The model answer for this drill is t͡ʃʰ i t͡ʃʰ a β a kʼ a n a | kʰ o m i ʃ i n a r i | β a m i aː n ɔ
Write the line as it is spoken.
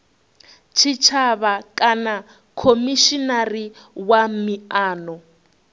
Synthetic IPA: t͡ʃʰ i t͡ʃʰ a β a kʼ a n a | kʰ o m i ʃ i n a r i | w a m i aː n ɔ